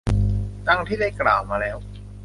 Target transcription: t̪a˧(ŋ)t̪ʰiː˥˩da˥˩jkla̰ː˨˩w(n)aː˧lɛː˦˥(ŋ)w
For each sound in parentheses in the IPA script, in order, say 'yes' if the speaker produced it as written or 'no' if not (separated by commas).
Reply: yes, no, no